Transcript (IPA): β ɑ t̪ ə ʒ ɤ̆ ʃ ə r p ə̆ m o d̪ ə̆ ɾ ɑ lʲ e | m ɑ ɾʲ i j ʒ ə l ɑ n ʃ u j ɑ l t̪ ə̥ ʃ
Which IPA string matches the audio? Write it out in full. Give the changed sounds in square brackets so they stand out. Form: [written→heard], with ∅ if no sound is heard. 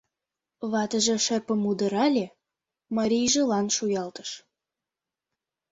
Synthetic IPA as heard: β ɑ t̪ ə ʒ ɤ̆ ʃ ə r p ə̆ m [o→u] d̪ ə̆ ɾ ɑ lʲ e | m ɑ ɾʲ i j ʒ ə l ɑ n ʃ u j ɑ l t̪ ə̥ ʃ